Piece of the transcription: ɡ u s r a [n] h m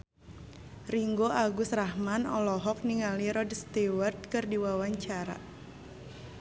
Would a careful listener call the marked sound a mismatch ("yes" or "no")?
yes